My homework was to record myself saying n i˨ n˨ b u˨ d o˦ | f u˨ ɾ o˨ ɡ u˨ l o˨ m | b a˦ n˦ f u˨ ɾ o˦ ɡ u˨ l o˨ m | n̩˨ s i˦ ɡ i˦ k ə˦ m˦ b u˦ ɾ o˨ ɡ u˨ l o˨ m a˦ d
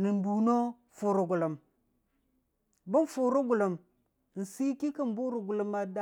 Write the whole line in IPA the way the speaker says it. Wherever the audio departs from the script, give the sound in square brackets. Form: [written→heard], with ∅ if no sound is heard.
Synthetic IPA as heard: n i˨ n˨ b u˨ [d→n] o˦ | f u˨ ɾ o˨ ɡ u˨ l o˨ m | b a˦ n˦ f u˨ ɾ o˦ ɡ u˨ l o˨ m | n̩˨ s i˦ [ɡ→k] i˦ k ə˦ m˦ b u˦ ɾ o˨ ɡ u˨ l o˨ m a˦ d